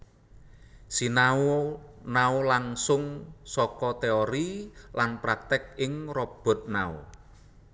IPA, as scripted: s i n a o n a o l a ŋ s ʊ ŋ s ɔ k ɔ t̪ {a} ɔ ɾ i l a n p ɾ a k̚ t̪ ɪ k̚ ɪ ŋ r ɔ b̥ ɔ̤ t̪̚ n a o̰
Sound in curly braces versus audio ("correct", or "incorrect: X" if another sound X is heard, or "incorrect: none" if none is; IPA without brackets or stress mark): incorrect: e